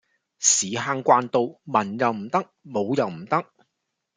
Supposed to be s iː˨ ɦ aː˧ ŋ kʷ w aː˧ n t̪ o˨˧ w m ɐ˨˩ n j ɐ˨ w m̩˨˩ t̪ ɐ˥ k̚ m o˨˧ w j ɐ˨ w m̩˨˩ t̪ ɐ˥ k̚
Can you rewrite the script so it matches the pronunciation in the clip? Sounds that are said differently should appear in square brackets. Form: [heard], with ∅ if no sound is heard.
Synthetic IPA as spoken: s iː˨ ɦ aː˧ ŋ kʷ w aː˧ n t̪ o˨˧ w m ɐ˨˩ n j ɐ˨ w m̩˨˩ t̪ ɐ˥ k̚ m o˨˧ w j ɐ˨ w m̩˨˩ t̪ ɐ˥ k̚